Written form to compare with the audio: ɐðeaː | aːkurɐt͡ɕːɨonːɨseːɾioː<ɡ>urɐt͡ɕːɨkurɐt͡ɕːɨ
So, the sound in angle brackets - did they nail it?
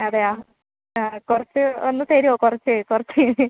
no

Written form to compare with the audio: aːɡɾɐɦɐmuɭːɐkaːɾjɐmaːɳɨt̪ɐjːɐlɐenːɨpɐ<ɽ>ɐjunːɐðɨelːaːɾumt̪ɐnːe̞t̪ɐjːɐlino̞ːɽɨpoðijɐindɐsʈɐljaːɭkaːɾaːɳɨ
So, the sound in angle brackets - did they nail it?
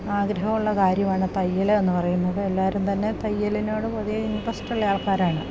no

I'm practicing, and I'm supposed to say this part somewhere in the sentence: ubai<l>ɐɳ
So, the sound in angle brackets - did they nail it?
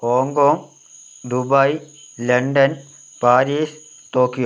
yes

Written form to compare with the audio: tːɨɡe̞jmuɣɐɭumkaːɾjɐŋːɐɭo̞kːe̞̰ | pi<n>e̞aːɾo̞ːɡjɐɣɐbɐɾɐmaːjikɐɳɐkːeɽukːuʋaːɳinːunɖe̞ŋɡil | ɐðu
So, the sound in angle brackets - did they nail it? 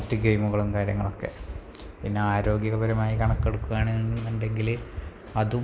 no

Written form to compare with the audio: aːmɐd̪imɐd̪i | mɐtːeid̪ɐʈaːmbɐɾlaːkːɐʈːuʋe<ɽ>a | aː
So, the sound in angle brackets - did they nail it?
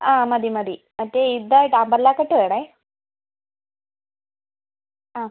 yes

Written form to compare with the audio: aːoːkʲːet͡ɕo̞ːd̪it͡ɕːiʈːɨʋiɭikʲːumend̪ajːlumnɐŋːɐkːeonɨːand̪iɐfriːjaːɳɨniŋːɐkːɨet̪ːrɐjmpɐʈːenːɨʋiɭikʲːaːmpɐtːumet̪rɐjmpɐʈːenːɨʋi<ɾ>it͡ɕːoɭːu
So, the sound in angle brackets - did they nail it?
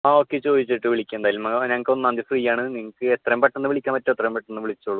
no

